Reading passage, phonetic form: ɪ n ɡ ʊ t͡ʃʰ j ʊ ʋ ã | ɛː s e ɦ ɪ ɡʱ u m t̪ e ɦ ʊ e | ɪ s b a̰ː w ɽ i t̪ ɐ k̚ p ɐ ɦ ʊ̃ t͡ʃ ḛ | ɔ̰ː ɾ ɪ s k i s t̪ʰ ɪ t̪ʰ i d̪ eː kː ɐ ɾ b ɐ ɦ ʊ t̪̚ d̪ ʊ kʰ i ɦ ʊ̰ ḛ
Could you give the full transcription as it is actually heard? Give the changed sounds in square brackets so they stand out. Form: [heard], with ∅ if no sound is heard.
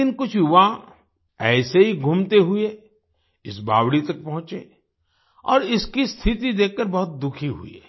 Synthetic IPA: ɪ n [k] ʊ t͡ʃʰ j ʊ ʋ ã | ɛː s e ɦ [i] ɡʱ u m t̪ e ɦ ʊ e | ɪ s b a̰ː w ɽ i t̪ ɐ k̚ p ɐ ɦ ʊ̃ t͡ʃ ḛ | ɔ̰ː ɾ ɪ s k i s t̪ʰ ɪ [t̪] i d̪ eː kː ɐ ɾ b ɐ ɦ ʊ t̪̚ d̪ ʊ kʰ i ɦ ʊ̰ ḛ